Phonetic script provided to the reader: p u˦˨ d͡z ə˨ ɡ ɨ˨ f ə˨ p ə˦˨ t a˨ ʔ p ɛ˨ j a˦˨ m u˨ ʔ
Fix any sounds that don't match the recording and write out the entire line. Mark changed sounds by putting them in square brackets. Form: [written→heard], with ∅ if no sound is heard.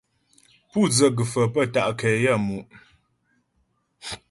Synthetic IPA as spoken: p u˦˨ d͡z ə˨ ɡ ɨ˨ f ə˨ p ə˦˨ t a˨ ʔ [p→k] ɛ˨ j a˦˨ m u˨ ʔ